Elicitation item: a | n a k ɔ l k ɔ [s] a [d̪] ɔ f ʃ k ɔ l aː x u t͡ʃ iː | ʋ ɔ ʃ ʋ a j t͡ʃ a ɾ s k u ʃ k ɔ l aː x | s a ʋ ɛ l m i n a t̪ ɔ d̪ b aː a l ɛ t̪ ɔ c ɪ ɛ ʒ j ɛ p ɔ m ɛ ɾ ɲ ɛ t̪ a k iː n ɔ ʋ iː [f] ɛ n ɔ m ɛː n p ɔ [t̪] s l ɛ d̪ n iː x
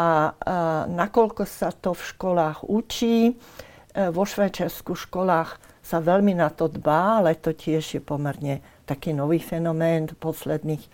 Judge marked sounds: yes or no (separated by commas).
yes, no, yes, no